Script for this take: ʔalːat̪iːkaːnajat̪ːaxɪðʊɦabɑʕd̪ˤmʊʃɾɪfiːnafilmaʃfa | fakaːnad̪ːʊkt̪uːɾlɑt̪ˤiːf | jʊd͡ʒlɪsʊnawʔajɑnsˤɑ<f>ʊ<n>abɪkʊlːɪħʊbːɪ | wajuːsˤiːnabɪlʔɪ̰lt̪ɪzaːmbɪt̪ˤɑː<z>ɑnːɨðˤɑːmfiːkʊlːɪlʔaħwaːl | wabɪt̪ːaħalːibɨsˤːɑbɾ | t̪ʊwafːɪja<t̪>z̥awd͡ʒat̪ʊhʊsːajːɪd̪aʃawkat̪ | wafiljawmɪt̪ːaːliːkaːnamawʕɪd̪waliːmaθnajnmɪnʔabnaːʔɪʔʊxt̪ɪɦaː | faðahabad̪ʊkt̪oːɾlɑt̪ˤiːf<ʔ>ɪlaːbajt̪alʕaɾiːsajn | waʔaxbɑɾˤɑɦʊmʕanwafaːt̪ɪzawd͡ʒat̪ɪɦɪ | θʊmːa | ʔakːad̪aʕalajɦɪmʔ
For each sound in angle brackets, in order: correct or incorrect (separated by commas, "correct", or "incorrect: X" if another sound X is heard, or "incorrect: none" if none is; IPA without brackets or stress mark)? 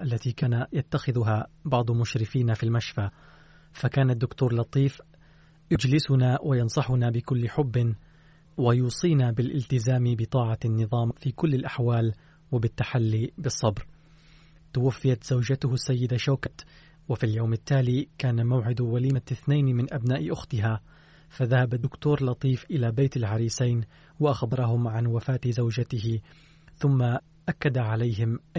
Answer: incorrect: ħ, correct, incorrect: ʕ, correct, correct